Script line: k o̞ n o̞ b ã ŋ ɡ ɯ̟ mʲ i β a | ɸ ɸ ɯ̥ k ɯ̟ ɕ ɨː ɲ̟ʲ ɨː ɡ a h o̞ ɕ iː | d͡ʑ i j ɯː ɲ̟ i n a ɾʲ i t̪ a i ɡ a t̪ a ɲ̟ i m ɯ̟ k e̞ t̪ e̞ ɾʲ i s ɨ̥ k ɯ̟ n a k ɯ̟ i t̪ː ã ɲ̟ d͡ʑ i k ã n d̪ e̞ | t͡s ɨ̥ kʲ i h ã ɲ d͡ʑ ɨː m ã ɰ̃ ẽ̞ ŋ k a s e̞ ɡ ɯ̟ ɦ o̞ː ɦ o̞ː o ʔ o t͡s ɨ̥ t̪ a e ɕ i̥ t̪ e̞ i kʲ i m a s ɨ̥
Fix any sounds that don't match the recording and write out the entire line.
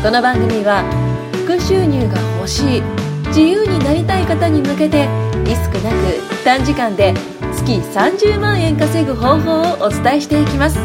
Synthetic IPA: k o̞ n o̞ b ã ŋ ɡ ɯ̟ mʲ i β a | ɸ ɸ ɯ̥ k ɯ̟ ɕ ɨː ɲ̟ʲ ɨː ɡ a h o̞ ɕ iː | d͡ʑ i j ɯː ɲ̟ i n a ɾʲ i t̪ a i k a t̪ a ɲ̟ i m ɯ̟ k e̞ t̪ e̞ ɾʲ i s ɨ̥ k ɯ̟ n a k ɯ̟ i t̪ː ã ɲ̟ d͡ʑ i k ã n d̪ e̞ | t͡s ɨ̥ kʲ i s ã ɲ d͡ʑ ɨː m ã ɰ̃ ẽ̞ ŋ k a s e̞ ɡ ɯ̟ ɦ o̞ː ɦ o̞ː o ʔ o t͡s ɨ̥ t̪ a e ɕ i̥ t̪ e̞ i kʲ i m a s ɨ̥